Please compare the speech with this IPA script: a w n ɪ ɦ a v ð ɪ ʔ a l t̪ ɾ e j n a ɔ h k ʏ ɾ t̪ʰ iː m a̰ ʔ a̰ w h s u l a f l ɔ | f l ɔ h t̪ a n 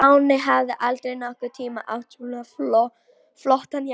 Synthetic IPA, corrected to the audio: a w n ɪ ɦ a v ð ɪ ʔ a l t̪ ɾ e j n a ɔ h k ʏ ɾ t̪ʰ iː m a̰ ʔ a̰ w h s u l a f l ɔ | f l ɔ h t̪ a n